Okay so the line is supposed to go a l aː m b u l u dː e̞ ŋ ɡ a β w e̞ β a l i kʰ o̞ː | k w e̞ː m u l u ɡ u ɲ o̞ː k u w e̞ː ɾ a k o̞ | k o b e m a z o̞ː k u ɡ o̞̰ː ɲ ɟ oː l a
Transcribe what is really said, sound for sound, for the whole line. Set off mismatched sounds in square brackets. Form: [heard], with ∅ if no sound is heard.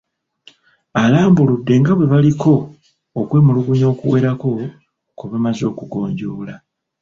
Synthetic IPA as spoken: a l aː m b u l u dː e̞ ŋ ɡ a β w e̞ β a l i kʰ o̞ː | k w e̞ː m u l u ɡ u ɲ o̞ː k u w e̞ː ɾ a k o̞ | k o [β] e m a z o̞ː k u ɡ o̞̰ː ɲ ɟ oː l a